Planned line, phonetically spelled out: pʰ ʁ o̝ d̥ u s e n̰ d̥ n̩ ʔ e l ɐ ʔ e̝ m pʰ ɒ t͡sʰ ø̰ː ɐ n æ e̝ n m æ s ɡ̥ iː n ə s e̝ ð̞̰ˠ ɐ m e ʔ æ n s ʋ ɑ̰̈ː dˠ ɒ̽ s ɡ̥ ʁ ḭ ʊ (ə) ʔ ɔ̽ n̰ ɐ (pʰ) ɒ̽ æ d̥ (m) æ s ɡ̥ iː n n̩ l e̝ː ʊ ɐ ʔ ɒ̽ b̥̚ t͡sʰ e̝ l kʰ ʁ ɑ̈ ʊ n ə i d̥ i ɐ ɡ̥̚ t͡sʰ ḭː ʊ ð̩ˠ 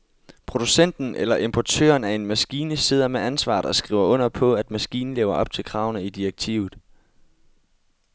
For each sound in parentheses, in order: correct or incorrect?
incorrect: ɐ, correct, correct

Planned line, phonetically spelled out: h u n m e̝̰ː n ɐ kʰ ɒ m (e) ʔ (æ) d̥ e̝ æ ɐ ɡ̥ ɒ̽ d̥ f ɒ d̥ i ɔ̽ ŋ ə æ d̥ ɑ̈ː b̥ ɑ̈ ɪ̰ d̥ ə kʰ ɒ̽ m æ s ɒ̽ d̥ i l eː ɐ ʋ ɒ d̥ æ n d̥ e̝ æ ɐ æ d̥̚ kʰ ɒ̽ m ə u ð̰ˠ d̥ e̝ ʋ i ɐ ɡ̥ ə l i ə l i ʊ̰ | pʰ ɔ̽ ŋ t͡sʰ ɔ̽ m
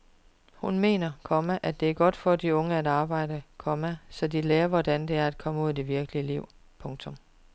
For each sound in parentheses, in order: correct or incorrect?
incorrect: æ, correct

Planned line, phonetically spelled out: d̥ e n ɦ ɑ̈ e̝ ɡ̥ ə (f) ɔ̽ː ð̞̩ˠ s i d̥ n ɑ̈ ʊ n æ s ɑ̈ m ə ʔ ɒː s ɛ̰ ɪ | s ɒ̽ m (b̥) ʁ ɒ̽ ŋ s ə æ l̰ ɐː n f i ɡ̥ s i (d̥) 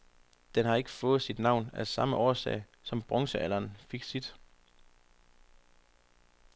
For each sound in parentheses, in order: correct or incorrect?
correct, correct, correct

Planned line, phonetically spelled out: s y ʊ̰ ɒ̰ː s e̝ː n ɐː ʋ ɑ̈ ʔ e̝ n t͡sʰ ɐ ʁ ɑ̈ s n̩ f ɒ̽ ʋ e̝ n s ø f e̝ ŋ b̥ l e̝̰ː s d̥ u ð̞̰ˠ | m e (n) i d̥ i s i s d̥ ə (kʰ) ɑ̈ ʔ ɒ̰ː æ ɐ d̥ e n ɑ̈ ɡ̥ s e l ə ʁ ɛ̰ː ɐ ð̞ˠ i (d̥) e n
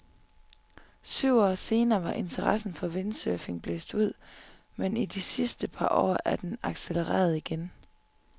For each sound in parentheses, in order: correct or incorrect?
correct, incorrect: pʰ, incorrect: ɡ̥

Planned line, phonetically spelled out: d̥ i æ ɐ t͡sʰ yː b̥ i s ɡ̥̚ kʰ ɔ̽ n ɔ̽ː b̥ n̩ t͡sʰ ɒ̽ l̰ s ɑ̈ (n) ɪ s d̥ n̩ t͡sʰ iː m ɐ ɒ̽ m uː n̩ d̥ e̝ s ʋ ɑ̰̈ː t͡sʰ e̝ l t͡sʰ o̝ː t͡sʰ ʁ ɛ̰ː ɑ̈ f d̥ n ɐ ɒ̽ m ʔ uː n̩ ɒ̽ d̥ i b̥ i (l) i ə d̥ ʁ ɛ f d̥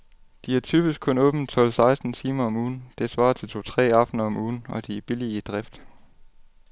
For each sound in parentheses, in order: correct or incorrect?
incorrect: none, correct

